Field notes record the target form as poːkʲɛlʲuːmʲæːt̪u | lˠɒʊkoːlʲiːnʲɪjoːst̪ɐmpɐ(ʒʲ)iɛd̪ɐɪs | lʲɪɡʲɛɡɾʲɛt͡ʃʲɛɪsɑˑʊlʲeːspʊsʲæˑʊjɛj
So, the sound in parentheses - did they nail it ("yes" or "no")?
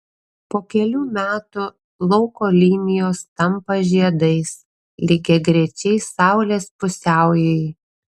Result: yes